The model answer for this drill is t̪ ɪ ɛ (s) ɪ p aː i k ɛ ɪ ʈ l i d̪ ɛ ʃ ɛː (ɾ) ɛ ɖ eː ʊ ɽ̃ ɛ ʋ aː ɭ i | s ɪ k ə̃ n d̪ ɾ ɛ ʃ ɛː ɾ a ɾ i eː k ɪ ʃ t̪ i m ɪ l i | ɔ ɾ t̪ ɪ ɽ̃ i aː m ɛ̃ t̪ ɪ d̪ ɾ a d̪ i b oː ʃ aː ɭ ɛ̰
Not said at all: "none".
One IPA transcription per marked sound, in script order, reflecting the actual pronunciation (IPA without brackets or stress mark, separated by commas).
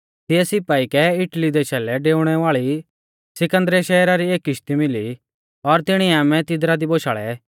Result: s, l